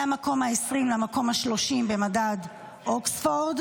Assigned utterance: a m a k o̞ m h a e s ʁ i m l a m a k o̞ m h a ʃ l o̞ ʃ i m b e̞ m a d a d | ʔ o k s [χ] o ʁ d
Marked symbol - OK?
no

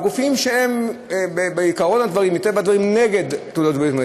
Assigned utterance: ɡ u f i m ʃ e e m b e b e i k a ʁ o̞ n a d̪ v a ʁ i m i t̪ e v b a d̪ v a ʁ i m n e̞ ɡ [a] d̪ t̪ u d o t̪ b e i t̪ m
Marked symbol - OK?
no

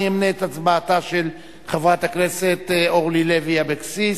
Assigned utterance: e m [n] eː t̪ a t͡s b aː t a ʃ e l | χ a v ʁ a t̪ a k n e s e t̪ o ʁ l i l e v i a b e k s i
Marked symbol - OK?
yes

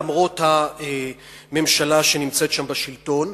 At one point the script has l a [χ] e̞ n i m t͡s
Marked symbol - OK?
no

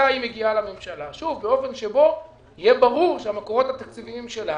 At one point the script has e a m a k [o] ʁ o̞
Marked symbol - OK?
yes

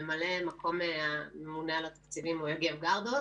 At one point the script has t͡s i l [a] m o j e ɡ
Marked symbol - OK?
no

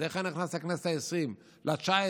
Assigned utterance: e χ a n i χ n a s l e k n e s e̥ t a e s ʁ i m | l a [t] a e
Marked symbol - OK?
no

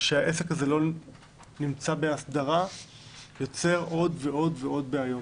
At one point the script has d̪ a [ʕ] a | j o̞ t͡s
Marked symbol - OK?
no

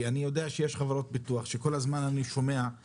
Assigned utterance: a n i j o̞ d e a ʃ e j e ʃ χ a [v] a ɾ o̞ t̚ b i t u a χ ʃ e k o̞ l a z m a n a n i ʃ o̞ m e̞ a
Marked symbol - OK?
yes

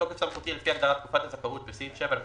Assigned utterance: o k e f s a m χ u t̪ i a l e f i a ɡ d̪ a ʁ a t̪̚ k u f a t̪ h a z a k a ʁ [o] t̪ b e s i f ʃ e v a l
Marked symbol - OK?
no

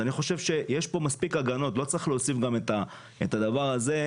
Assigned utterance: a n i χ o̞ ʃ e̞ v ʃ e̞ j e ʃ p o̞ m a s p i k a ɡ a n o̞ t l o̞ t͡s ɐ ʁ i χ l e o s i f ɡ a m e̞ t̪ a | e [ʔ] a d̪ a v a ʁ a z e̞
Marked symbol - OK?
no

